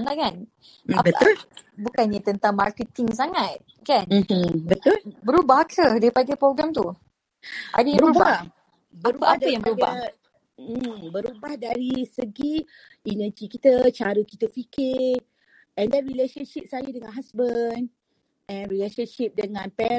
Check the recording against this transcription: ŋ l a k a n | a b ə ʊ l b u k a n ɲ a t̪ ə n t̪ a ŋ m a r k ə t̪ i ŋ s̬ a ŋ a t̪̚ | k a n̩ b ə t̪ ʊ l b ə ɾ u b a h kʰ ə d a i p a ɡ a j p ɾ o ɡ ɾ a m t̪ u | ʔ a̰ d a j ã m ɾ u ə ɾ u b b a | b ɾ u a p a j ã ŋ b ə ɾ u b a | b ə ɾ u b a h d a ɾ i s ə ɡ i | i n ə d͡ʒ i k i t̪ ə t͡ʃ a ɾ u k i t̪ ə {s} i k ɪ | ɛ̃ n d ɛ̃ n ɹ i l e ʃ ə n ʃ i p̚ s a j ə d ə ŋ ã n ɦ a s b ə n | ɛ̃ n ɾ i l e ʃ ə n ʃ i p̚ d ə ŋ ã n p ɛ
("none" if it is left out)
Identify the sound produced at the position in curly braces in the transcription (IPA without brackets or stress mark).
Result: f